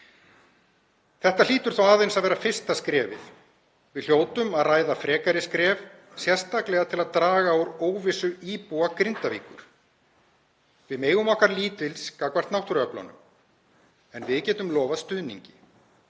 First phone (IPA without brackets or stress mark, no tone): θ